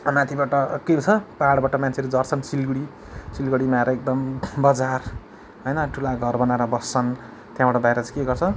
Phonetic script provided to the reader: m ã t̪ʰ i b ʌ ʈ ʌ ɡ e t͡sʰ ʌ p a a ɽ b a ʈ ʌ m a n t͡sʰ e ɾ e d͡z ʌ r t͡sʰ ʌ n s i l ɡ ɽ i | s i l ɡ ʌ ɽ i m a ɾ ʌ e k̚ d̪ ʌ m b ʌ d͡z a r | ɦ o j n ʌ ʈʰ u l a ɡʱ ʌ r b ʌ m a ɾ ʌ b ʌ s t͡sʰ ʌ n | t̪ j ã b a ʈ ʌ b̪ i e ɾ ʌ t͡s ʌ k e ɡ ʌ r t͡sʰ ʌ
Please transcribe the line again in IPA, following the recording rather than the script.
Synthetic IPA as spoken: m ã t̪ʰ i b a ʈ ʌ k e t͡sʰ ʌ p a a ɽ b a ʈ ʌ m a n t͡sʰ e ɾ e d͡z ʌ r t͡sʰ ʌ n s i l ɡ ɽ i | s i l ɡ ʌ ɽ i m a ɾ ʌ e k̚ d̪ ʌ m b ʌ d͡z a r | ɦ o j n ʌ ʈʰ u l a ɡʱ ʌ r b ʌ n a ɾ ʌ b ʌ s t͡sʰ ʌ n | t̪ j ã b a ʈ ʌ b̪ a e ɾ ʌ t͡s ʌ k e ɡ ʌ r t͡sʰ ʌ